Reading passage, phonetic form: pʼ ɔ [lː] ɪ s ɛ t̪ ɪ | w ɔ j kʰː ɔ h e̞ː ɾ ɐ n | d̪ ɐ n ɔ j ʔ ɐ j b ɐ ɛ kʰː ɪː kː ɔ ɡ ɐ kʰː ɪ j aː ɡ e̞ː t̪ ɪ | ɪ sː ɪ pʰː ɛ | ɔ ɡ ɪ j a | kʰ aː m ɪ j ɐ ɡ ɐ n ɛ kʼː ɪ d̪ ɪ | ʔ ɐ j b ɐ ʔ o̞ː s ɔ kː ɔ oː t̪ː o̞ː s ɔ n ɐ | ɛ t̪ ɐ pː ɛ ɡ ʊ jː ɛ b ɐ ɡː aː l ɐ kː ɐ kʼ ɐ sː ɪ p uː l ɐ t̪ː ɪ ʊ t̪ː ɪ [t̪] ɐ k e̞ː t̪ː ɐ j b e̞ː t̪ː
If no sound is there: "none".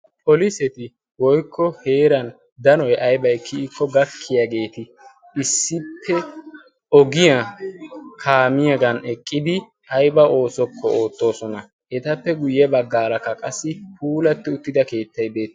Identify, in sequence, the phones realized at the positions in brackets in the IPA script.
l, d̪

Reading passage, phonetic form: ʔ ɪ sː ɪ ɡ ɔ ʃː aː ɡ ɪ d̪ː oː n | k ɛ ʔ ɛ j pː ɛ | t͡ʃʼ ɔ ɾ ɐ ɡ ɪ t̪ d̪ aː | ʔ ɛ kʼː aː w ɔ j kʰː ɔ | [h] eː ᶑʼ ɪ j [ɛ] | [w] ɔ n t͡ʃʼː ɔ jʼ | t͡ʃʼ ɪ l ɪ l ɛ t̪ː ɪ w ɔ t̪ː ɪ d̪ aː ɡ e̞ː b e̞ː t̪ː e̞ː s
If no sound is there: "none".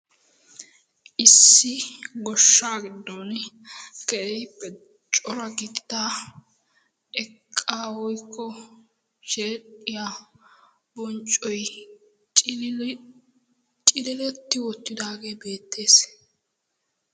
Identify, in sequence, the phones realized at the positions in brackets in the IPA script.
ʃ, a, b

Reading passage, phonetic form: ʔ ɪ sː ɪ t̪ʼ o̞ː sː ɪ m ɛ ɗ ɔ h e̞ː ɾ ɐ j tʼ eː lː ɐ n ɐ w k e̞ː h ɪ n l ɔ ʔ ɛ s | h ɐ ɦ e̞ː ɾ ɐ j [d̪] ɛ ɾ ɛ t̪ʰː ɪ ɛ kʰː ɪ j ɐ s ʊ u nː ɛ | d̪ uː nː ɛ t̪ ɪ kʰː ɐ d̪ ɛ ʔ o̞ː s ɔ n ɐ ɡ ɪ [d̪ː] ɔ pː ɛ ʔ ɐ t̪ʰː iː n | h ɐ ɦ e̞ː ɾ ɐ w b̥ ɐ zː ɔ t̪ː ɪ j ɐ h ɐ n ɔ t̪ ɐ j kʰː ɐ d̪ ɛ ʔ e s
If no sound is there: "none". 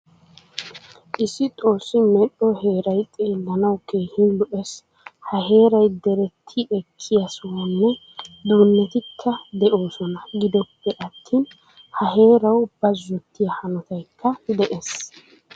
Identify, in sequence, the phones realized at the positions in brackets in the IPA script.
d̪, d̪

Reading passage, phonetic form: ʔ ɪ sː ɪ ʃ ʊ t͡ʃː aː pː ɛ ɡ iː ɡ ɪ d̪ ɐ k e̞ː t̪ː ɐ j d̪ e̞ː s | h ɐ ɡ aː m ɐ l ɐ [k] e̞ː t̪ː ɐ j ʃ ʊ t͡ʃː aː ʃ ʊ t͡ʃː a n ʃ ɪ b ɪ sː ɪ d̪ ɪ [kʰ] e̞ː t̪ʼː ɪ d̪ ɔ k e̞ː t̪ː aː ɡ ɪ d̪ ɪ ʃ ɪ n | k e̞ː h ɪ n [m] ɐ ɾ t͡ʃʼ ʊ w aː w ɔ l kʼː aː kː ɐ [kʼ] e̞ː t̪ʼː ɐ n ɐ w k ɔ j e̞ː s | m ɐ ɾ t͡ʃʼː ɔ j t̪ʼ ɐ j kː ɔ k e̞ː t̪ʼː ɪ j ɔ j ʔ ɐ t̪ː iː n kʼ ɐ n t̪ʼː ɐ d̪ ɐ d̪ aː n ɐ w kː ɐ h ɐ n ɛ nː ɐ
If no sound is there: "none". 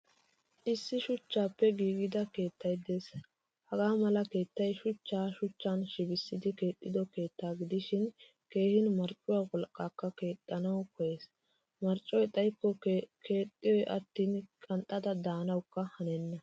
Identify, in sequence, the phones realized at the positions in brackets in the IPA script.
k, k, m, k

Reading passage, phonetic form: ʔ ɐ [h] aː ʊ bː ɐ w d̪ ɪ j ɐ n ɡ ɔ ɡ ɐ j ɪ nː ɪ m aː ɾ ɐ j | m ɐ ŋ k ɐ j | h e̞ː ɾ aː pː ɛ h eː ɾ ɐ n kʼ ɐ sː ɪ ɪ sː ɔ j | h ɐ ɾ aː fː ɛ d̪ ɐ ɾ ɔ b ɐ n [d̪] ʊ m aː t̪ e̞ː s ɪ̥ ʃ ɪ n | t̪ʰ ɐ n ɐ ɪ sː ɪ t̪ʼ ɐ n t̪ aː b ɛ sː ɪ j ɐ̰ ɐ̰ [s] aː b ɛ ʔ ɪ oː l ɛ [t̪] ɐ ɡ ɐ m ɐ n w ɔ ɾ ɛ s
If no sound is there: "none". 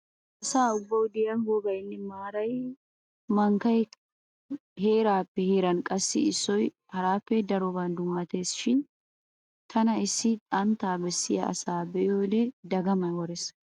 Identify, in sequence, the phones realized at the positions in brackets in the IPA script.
s, d̪, s, d̪

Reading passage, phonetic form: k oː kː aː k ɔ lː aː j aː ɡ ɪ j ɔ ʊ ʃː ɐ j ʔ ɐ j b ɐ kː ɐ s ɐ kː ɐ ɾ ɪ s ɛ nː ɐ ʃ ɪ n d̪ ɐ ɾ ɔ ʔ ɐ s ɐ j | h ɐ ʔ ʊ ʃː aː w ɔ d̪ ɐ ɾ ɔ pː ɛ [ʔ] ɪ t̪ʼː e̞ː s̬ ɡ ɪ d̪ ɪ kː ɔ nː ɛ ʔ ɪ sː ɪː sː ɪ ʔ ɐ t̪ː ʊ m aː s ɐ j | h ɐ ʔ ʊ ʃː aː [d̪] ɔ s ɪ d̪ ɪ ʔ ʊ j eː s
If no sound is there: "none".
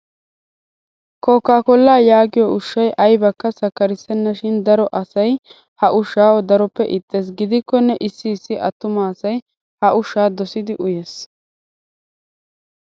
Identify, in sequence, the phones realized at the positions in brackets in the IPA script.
ʔ, d̪

